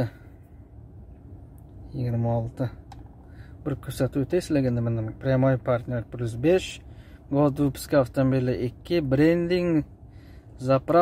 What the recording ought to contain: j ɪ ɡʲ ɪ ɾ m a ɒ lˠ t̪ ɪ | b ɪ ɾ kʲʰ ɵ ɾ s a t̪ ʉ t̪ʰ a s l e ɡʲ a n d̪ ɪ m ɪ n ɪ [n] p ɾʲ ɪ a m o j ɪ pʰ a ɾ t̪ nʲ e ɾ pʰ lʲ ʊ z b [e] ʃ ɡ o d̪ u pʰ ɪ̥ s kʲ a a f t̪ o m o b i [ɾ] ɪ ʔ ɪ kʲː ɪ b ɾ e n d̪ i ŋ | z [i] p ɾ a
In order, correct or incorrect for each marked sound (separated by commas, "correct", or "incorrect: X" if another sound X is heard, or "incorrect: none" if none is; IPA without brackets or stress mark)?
incorrect: m, correct, incorrect: l, incorrect: a